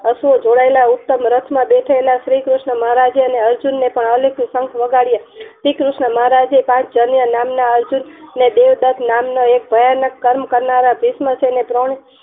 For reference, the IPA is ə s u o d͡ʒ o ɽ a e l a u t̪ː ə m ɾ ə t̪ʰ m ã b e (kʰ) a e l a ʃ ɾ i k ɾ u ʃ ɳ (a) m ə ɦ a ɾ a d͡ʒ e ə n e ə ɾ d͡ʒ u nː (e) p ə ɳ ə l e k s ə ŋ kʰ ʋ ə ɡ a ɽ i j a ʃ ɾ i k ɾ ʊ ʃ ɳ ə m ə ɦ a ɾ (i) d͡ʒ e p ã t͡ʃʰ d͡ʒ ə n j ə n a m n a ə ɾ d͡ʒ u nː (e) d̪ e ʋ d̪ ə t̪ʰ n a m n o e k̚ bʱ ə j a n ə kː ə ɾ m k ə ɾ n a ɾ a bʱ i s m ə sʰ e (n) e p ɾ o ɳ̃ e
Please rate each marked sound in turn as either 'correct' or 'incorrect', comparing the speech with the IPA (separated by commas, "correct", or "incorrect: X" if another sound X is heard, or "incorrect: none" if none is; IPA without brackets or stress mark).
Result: incorrect: ʈʰ, incorrect: ə, correct, incorrect: a, correct, correct